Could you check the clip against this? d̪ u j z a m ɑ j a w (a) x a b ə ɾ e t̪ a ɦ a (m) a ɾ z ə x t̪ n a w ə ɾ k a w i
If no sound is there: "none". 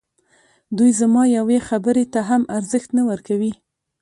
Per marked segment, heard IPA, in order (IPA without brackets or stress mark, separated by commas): e, m